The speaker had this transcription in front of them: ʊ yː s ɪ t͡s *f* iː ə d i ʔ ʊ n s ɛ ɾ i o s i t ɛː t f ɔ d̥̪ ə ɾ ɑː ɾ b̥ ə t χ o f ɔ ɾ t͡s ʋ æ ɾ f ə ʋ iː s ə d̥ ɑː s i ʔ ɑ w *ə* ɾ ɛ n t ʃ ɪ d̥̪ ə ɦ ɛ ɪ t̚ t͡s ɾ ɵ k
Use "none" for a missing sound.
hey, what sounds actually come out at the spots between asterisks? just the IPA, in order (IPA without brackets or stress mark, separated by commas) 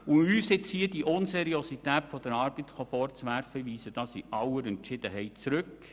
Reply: h, ə